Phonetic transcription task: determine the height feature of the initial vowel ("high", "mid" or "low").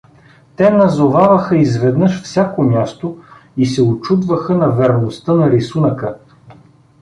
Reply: mid